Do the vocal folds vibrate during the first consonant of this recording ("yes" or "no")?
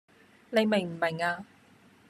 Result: yes